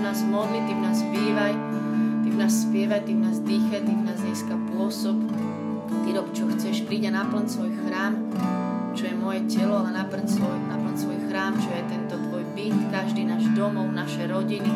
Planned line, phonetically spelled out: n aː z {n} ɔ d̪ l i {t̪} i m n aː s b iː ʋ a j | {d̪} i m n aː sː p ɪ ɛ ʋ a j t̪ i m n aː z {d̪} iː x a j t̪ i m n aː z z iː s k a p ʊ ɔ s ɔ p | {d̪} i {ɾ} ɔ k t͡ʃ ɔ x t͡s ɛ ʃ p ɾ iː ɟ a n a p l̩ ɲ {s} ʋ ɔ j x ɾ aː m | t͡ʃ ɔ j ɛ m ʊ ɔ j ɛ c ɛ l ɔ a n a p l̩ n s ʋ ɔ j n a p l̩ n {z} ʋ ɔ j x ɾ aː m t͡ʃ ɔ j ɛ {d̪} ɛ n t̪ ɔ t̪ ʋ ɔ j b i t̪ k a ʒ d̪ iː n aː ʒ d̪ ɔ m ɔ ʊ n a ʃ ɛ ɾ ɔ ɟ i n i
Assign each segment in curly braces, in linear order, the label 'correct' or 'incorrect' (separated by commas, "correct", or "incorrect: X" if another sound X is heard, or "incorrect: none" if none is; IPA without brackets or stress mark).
incorrect: m, correct, incorrect: t̪, correct, incorrect: t̪, correct, correct, incorrect: s, incorrect: t̪